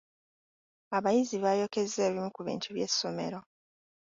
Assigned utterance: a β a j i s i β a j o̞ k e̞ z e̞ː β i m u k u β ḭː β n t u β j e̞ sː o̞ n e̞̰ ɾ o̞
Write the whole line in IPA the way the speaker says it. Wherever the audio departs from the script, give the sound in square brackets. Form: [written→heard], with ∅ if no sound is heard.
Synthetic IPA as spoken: a β a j i [s→z] i β a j o̞ k e̞ z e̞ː β i m u k u β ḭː [β→∅] n t u β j e̞ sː o̞ [n→m] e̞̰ ɾ o̞